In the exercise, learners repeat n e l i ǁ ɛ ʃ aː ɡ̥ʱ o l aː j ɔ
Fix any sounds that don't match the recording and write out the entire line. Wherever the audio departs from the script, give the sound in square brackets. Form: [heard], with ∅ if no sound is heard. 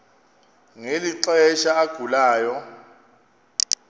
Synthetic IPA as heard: [ŋ] e l i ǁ ɛ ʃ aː ɡ̥ʱ [u] l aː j ɔ